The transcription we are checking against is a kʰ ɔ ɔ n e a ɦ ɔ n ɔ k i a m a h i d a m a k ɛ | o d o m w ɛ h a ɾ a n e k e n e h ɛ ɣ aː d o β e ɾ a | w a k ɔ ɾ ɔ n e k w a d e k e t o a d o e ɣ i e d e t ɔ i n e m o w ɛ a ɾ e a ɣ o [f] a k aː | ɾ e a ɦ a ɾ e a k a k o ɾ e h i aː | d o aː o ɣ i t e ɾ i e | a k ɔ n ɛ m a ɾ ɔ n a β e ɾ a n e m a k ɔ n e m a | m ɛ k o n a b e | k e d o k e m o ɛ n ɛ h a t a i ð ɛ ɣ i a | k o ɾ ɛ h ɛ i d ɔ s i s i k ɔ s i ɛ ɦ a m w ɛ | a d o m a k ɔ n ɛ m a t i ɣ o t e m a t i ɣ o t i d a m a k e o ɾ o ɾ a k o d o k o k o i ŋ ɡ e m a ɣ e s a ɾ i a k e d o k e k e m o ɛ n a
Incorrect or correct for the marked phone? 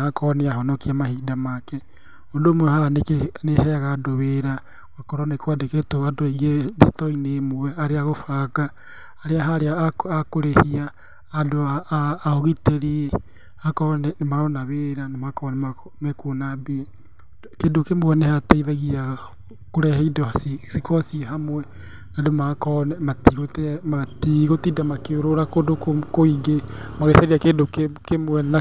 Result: correct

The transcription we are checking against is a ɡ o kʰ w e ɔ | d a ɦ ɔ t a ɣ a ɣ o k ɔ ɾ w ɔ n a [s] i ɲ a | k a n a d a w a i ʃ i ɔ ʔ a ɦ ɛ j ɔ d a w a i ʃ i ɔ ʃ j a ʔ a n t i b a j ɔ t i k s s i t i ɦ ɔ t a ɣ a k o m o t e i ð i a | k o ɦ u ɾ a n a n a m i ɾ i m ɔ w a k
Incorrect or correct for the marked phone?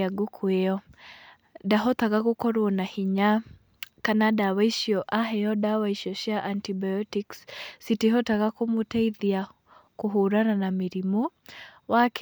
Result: incorrect: h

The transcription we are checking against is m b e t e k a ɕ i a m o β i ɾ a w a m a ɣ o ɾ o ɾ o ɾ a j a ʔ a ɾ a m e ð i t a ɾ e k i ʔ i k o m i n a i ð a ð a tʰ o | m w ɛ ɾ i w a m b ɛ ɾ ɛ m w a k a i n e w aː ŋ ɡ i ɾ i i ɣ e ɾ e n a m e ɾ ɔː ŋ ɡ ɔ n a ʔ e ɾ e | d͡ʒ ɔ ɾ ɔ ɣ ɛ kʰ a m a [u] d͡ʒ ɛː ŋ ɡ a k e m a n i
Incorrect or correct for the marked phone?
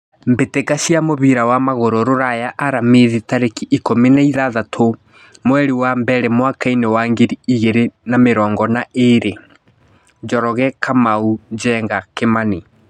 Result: correct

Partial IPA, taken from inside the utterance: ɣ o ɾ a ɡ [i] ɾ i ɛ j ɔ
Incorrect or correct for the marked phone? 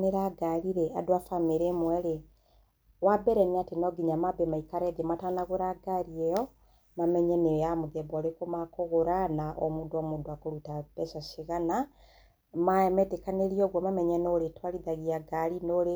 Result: incorrect: a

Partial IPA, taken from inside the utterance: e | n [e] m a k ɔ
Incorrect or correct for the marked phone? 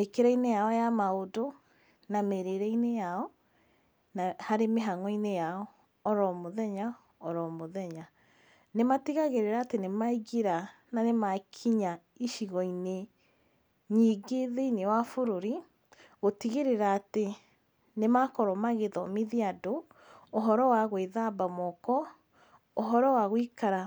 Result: correct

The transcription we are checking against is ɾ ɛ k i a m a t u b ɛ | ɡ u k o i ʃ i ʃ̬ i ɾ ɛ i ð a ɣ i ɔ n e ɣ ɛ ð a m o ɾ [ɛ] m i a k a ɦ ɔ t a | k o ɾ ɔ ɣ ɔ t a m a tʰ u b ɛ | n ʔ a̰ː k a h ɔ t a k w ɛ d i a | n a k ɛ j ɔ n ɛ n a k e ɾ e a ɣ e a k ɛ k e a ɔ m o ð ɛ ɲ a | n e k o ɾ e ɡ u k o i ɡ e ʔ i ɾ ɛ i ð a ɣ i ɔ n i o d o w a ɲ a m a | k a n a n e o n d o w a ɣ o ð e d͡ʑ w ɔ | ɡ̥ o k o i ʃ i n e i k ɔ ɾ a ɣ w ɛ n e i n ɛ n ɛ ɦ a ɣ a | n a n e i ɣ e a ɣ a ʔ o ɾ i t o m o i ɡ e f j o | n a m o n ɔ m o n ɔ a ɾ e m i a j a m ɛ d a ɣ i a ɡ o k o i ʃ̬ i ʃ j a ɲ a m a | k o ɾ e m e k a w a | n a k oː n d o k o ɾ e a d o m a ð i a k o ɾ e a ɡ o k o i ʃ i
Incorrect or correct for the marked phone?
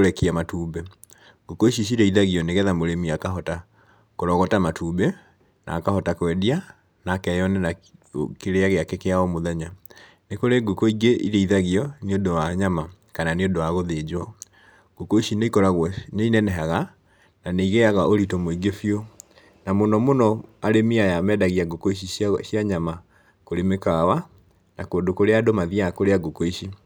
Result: incorrect: e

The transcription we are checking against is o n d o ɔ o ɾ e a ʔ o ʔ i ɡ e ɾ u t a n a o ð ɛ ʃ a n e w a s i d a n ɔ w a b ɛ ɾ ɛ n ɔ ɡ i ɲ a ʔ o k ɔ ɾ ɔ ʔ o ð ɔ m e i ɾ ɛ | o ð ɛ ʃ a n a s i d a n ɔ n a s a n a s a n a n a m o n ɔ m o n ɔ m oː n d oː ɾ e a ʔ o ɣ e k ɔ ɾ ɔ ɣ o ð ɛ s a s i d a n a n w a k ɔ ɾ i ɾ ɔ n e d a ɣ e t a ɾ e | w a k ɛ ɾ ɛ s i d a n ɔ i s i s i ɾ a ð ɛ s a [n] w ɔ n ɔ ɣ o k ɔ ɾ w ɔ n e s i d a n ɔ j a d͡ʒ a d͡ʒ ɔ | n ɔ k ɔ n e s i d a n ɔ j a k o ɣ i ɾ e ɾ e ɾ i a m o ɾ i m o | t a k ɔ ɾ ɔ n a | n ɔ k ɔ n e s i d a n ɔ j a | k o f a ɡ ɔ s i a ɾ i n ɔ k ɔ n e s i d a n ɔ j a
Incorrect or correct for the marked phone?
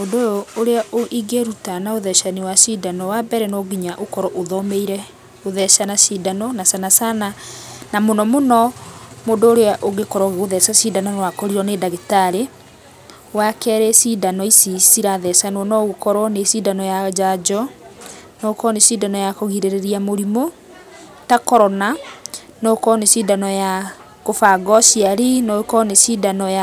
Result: correct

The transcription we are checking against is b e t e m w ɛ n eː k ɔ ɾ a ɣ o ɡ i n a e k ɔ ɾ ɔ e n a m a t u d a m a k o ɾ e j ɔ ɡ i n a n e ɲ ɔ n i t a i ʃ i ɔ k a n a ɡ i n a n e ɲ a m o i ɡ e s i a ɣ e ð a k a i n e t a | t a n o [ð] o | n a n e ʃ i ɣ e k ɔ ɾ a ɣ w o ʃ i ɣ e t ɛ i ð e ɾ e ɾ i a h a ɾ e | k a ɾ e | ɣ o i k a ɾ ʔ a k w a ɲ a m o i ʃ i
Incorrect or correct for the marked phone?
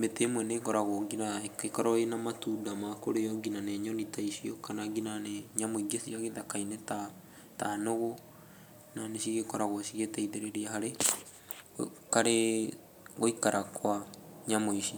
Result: incorrect: ɣ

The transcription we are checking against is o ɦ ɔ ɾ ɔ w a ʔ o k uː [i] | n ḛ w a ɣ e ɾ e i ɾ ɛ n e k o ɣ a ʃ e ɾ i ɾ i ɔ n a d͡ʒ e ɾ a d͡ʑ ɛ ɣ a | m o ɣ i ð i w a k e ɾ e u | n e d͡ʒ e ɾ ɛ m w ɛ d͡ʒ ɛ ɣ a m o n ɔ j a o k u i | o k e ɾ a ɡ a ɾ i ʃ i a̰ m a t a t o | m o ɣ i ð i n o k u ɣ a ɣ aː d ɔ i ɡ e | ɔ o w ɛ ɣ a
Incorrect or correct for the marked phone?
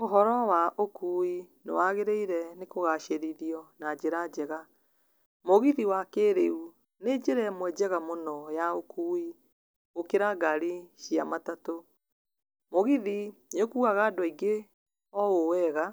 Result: correct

